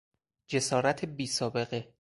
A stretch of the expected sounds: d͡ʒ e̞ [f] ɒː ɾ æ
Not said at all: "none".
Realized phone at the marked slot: s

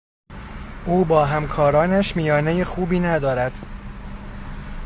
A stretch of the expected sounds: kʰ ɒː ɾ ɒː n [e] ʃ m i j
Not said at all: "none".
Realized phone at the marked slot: æ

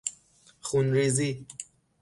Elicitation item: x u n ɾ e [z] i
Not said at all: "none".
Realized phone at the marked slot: z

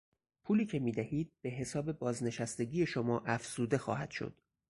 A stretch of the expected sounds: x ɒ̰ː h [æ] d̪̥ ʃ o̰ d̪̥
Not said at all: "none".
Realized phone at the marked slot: æ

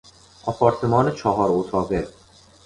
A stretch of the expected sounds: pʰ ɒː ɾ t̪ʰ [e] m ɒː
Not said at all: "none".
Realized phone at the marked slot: e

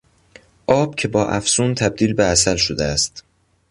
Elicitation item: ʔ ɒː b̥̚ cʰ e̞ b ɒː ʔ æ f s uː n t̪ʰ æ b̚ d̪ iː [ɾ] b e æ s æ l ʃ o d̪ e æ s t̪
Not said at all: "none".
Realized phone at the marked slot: l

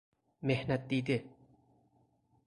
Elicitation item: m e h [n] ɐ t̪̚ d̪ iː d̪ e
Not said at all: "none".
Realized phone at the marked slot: n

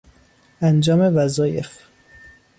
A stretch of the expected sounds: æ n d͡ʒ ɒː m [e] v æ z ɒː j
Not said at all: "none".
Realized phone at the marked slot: e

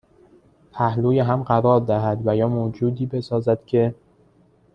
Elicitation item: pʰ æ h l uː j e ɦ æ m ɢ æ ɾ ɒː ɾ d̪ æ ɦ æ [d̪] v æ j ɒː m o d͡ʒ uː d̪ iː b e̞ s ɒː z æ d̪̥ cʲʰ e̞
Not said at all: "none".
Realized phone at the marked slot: d̪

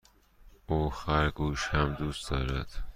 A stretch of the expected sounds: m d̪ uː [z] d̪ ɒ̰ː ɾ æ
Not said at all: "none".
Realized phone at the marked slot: s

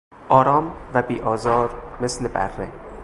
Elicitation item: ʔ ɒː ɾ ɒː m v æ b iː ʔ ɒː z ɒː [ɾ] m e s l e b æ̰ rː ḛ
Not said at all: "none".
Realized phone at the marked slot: ɾ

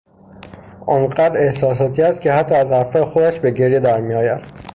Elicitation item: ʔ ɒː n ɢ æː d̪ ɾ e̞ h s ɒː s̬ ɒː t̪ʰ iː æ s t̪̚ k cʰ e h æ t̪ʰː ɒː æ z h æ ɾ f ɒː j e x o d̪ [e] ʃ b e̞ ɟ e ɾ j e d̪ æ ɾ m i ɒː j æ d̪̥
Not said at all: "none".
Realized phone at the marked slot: æ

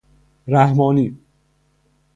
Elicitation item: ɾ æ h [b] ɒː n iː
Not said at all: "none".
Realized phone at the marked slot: m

